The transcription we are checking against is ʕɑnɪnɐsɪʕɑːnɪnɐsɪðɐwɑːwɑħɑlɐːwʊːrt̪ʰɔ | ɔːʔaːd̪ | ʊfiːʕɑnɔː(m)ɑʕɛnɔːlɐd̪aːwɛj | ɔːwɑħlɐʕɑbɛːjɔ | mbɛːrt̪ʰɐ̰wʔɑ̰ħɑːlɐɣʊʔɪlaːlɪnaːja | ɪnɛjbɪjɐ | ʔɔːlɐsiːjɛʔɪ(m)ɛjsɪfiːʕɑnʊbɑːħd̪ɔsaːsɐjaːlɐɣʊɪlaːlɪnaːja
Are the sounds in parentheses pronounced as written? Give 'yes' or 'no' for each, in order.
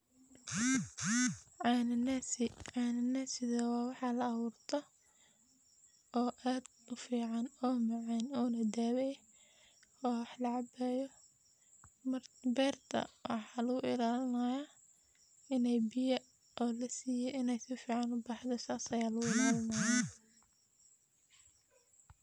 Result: yes, no

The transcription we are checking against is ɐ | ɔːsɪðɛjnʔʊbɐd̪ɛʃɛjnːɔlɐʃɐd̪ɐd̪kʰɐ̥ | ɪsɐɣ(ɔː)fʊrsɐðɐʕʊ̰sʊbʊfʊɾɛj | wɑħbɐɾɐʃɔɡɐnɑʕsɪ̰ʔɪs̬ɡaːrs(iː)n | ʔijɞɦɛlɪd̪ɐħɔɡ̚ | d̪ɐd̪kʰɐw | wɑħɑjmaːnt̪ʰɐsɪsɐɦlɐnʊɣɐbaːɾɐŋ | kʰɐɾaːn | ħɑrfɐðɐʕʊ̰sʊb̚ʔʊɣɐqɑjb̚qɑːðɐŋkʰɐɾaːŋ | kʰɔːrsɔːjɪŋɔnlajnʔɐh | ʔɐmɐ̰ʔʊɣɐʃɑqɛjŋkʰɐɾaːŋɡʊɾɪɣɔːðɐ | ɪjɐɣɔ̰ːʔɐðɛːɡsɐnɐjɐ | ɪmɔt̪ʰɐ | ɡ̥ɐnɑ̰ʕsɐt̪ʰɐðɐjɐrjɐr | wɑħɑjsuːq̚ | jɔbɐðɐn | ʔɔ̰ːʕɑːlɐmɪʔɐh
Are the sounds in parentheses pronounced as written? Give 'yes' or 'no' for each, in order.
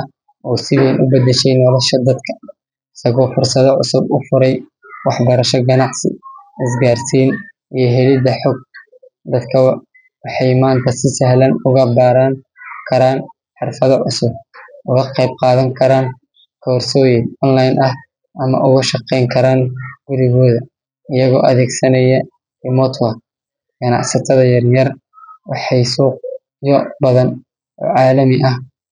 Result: yes, yes

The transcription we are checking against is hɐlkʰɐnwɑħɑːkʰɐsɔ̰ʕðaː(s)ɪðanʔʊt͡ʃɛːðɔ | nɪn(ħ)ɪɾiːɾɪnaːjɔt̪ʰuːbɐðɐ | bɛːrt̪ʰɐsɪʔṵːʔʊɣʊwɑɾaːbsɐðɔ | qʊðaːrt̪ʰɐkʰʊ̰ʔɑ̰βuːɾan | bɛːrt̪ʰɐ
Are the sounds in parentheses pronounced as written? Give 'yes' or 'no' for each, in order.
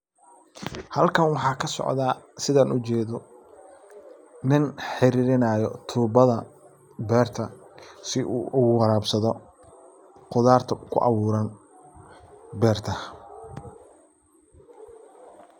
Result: yes, yes

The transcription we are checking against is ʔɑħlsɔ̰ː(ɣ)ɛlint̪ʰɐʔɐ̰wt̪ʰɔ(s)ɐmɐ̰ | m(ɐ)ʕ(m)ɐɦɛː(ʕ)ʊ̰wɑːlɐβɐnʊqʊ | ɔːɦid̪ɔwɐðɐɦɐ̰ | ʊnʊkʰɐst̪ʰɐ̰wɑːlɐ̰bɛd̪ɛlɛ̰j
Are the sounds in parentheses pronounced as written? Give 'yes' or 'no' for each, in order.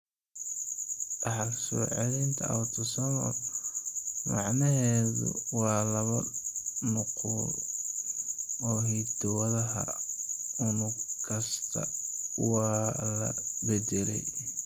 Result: no, yes, no, no, no

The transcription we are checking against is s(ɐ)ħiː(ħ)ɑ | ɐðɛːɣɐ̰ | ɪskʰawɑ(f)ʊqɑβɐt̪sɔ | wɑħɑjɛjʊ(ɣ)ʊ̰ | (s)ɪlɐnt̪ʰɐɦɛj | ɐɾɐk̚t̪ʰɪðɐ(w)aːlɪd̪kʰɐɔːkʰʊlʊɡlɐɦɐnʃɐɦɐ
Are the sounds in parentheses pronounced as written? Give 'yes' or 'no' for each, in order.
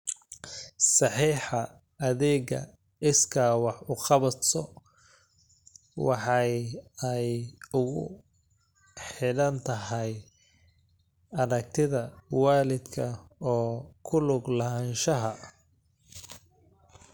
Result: no, yes, no, yes, no, yes

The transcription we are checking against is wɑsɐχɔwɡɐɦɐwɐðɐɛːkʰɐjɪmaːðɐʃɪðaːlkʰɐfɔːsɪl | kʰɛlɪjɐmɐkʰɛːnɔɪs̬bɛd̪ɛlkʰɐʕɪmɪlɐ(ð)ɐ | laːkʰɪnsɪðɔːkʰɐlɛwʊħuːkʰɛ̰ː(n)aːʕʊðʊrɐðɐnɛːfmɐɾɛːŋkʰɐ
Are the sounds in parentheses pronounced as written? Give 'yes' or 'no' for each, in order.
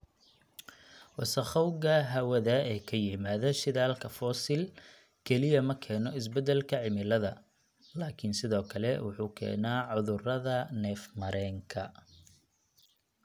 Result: yes, yes

